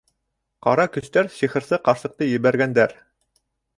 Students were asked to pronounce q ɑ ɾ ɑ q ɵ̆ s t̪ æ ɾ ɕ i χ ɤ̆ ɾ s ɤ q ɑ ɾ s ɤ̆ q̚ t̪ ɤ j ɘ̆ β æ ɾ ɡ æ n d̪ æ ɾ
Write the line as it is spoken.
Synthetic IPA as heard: q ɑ ɾ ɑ k ɵ̆ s t̪ æ ɾ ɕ i χ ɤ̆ ɾ s ɤ q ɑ ɾ s ɤ̆ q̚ t̪ ɤ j ɘ̆ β æ ɾ ɡ æ n d̪ æ ɾ